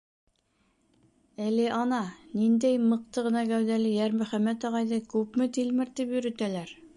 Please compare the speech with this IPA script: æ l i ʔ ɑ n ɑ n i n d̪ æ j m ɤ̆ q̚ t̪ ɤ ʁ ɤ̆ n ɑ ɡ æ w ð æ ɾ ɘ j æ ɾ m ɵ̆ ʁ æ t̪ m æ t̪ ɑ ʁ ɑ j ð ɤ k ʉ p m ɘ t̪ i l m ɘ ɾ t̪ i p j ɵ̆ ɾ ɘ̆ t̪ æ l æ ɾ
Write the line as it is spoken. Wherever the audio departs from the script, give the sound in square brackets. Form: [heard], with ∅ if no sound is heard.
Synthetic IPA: æ l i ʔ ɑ n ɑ n i n d̪ æ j m ɤ̆ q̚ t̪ ɤ ʁ ɤ̆ n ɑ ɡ æ w ð æ [l] ɘ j æ ɾ m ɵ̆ [χ] æ [∅] m æ t̪ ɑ ʁ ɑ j ð ɤ k ʉ p m ɘ t̪ i l m ɘ ɾ t̪ i p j ɵ̆ ɾ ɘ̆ t̪ æ l æ ɾ